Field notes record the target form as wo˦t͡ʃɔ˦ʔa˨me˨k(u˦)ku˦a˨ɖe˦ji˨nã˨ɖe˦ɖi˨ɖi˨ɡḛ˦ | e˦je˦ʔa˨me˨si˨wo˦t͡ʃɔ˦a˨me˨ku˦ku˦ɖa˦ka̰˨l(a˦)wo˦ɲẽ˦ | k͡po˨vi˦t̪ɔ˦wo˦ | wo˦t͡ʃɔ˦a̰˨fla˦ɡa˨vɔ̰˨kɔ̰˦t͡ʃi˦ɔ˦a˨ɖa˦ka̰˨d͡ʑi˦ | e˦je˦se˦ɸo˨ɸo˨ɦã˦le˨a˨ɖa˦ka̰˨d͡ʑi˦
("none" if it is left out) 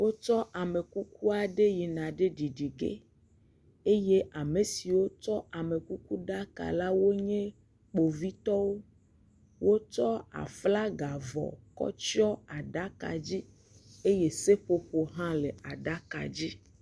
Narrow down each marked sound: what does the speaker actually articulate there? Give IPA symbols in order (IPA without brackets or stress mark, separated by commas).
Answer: u˦, a˦